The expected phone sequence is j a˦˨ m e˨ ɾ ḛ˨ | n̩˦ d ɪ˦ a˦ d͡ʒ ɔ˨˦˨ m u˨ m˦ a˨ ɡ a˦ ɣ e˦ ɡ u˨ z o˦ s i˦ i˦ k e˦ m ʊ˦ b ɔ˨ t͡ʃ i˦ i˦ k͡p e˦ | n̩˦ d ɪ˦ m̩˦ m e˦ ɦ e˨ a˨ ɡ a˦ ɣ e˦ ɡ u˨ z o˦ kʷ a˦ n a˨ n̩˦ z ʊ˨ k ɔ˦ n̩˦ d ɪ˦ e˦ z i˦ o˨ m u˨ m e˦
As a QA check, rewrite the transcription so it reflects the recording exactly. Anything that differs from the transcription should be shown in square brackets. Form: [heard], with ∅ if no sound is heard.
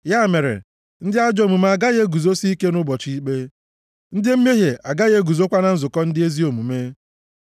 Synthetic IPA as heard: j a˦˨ m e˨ ɾ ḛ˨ | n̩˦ d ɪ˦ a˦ d͡ʒ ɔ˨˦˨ m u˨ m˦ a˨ ɡ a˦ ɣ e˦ ɡ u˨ z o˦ s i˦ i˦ k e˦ [n] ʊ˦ b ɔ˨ t͡ʃ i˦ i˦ k͡p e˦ | n̩˦ d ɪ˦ m̩˦ m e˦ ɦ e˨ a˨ ɡ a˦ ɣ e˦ ɡ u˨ z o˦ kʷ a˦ n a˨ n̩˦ z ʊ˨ k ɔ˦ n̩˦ d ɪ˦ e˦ z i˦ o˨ m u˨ m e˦